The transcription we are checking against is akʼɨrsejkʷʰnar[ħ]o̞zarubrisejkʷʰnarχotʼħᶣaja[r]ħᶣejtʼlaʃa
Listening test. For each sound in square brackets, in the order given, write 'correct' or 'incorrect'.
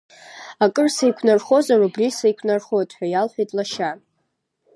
incorrect: χ, incorrect: l

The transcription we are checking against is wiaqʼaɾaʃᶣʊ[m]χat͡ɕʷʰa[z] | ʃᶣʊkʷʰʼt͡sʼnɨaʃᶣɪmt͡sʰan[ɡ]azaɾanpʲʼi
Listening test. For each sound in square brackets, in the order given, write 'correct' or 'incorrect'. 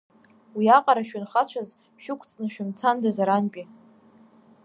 incorrect: n, correct, incorrect: d

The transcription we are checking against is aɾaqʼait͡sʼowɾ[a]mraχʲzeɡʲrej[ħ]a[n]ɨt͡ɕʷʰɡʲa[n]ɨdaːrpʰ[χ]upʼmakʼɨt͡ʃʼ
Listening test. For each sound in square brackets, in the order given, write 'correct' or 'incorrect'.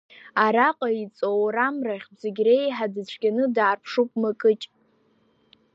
correct, correct, incorrect: d, correct, incorrect: ʂ

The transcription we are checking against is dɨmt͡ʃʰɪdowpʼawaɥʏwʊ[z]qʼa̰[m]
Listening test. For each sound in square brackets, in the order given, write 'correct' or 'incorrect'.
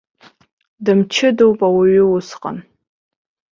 incorrect: s, incorrect: n

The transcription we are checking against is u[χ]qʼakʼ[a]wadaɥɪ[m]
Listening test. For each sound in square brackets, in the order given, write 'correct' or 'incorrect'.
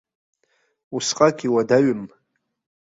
incorrect: s, incorrect: i, correct

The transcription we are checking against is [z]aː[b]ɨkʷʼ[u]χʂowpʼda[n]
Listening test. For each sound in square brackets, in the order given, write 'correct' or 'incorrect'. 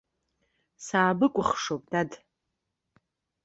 incorrect: s, correct, incorrect: ʊ, incorrect: d

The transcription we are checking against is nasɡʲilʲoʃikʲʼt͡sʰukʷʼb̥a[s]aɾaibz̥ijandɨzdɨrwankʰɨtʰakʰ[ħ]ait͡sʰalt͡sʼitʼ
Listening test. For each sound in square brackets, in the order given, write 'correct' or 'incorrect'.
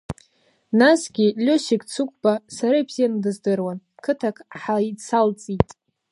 correct, correct

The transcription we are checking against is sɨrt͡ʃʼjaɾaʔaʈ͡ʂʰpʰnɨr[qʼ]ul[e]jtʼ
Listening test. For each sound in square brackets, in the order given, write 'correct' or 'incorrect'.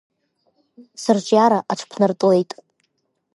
incorrect: tʼ, correct

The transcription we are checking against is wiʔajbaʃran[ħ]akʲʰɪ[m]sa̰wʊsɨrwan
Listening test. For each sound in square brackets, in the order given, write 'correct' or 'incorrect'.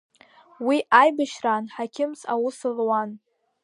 correct, correct

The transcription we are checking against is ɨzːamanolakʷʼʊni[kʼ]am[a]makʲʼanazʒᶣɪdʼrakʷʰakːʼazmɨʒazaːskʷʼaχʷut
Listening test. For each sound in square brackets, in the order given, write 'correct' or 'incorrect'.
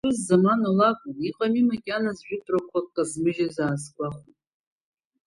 incorrect: qʼ, incorrect: i

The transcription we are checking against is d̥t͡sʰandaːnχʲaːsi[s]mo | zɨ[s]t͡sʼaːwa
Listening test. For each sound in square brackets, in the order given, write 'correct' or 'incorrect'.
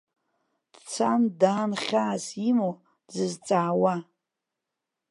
incorrect: none, incorrect: z

